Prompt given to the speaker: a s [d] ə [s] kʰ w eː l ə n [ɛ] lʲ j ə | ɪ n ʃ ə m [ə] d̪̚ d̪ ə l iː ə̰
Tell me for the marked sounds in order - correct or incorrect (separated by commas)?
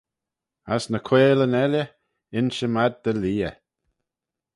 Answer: incorrect, incorrect, correct, incorrect